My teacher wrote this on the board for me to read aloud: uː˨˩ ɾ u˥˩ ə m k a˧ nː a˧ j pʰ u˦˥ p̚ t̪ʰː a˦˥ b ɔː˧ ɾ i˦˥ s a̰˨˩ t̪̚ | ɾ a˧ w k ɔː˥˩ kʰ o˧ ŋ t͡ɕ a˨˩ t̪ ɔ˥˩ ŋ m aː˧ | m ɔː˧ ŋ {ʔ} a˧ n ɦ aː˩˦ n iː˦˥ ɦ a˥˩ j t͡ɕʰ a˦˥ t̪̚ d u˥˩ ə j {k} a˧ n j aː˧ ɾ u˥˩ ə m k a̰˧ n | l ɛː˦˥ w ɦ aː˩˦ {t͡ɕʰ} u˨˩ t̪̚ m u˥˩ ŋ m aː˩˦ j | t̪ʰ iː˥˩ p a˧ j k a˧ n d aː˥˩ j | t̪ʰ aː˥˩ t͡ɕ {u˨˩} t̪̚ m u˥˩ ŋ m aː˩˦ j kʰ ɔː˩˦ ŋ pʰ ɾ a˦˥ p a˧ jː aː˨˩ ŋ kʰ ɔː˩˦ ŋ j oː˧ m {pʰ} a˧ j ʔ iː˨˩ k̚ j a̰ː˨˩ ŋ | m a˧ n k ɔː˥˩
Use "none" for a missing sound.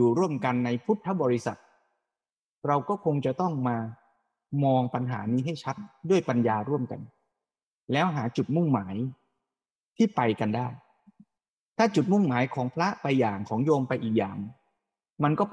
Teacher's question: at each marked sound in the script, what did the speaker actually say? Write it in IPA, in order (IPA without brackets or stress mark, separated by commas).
p, p, t͡ɕ, u˨˩, p